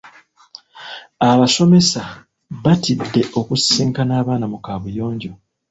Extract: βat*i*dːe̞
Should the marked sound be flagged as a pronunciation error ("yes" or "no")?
no